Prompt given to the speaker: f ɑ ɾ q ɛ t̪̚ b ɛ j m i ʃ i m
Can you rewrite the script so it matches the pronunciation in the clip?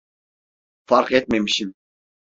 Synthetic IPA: f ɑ ɾ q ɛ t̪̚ m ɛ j m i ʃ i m